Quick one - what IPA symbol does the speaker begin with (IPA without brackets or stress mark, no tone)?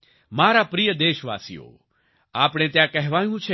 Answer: m